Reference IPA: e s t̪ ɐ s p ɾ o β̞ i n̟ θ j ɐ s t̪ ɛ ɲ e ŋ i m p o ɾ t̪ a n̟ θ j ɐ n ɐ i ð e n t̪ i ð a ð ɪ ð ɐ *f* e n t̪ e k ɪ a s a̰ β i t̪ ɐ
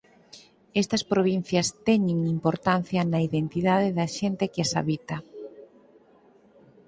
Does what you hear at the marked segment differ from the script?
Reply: yes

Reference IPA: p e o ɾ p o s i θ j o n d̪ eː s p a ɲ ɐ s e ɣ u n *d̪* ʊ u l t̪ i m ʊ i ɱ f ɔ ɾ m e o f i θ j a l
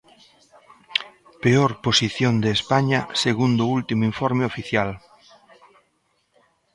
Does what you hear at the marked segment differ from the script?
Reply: no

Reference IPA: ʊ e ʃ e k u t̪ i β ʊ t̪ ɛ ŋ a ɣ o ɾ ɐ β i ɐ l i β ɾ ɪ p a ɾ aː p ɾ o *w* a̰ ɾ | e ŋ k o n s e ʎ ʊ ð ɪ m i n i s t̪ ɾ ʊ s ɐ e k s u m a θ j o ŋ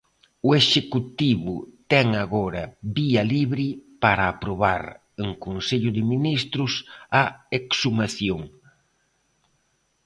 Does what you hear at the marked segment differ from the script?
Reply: yes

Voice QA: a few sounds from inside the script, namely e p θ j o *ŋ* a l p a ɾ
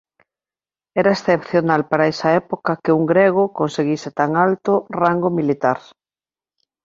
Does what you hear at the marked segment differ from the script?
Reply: yes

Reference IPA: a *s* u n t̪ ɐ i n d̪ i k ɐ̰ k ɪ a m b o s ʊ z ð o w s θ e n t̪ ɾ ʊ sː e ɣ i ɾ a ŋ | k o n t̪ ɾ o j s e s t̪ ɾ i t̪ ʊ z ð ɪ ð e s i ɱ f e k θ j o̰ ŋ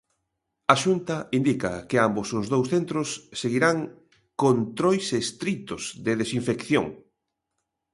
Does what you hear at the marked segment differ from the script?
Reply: yes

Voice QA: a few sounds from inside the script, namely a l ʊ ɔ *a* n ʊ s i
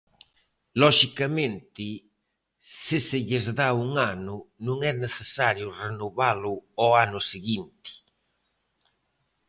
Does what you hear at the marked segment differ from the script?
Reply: no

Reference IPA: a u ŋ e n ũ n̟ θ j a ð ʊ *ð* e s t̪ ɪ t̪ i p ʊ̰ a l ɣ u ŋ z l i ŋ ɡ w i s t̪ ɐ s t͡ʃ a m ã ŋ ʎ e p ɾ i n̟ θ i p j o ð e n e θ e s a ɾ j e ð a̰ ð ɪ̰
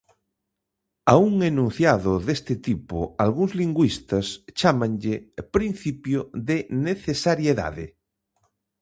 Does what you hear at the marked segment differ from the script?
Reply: no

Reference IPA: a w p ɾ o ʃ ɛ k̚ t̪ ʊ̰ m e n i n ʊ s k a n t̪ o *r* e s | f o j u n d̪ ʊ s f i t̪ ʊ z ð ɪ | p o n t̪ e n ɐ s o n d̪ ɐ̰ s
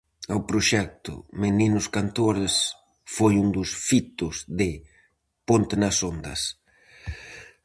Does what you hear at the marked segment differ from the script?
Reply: yes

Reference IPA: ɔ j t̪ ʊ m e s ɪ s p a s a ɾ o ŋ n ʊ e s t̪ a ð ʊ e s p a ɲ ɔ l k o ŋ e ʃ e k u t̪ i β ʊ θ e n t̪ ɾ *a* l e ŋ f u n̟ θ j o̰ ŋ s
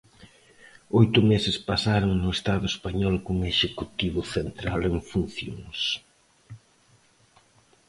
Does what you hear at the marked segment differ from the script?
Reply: no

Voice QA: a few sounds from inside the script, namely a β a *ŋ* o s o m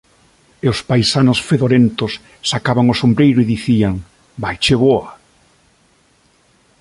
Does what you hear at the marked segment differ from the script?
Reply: no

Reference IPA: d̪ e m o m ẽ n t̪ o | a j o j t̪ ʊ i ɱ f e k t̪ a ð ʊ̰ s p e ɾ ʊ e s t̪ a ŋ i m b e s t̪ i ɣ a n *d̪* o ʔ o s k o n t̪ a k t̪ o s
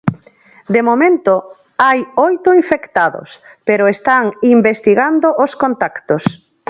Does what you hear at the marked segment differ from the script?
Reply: no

